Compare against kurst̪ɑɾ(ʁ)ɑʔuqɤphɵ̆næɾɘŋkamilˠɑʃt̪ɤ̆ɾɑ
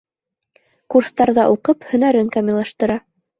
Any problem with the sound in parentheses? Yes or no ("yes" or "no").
yes